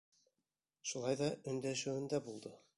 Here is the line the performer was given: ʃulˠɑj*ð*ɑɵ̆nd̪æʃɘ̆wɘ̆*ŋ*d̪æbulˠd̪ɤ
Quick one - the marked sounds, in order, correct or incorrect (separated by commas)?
correct, incorrect